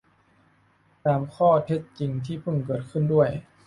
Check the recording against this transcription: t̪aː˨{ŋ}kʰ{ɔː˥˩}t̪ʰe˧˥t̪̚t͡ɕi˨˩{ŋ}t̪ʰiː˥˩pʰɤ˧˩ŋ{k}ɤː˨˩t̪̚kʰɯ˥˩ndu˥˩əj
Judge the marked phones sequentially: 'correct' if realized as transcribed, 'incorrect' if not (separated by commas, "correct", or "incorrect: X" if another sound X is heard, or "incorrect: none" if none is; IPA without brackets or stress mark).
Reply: incorrect: m, correct, correct, correct